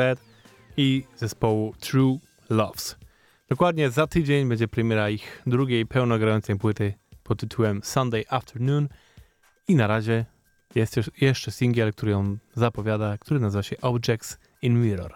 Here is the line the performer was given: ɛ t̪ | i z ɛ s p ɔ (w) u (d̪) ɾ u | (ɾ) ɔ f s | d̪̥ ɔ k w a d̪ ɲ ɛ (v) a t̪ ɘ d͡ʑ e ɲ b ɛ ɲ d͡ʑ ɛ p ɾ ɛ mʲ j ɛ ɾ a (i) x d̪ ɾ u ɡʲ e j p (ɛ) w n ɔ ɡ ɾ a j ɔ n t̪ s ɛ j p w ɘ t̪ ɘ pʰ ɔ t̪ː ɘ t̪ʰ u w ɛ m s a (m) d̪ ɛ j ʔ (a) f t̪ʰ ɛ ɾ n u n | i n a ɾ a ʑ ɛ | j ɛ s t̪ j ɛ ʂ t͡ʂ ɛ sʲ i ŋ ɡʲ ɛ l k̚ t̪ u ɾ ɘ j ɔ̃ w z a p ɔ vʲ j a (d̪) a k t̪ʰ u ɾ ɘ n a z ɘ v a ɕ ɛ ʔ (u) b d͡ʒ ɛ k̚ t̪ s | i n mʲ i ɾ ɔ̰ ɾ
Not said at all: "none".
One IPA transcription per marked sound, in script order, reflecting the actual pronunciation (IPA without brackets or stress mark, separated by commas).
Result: w, t̪, l, z, i, ɛ, n, a, d̪, ɔ